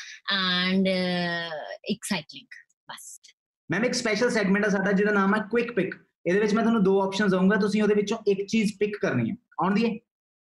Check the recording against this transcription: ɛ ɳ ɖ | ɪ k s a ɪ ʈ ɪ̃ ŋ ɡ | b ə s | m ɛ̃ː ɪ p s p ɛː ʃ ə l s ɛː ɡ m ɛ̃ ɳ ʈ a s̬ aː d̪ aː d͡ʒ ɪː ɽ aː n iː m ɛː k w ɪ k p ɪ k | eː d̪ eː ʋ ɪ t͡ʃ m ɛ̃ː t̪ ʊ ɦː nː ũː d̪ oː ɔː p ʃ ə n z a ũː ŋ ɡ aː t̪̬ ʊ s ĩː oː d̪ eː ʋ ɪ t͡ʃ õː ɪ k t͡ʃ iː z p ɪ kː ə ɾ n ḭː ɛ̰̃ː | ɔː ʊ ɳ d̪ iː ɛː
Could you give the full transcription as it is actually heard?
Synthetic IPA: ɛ ɳ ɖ | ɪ k s a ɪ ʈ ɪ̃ ŋ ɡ | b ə s | m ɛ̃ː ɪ k s p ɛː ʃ ə l s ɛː ɡ m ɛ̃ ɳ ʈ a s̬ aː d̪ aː d͡ʒ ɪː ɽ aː n aː m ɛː k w ɪ k p ɪ k | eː d̪ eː ʋ ɪ t͡ʃ m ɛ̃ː t̪ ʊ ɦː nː ũː d̪ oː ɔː p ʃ ə n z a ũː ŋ ɡ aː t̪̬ ʊ s ĩː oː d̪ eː ʋ ɪ t͡ʃ õː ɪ k t͡ʃ iː z p ɪ kː ə ɾ n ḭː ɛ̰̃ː | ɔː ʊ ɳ d̪ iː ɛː